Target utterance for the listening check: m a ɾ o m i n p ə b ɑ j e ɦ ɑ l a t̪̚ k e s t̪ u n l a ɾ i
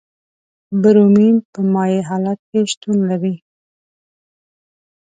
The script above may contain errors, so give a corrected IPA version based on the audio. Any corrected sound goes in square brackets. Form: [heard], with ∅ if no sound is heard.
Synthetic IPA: [b] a ɾ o m i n p ə [m] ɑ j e ɦ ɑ l a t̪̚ k e [ʃ] t̪ u n l a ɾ i